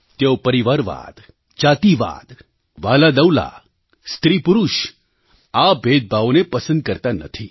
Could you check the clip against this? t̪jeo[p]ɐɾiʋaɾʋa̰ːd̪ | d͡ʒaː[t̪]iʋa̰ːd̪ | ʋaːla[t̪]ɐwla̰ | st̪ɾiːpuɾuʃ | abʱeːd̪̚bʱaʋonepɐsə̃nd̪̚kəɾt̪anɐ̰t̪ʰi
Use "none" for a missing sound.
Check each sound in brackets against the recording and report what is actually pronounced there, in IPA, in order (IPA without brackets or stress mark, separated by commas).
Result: p, t̪, d̪